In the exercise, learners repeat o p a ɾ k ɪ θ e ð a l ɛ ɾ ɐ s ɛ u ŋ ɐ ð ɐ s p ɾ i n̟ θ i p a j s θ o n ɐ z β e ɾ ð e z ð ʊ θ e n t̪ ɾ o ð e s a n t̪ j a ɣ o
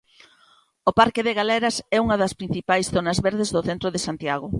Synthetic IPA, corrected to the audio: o p a ɾ k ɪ ð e ɣ a l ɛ ɾ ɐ s ɛ u ŋ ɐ ð ɐ s p ɾ i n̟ θ i p a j s θ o n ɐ z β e ɾ ð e z ð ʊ θ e n t̪ ɾ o ð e s a n t̪ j a ɣ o